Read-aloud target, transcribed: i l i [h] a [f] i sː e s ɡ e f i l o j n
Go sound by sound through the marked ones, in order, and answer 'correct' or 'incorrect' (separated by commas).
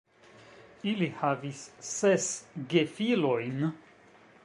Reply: correct, incorrect